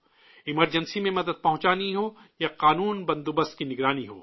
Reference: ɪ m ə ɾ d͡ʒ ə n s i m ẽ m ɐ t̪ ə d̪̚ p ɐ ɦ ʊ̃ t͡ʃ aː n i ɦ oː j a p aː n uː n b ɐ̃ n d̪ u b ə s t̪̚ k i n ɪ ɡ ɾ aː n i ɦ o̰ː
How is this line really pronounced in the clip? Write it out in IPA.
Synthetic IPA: ɪ m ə ɾ d͡ʒ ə n s i m ẽ m ɐ d̪ ə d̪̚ p ɐ ɦ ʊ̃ t͡ʃ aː n i ɦ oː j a q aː n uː n b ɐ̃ n d̪ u b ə s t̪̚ k i n ɪ ɡ ɾ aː n i ɦ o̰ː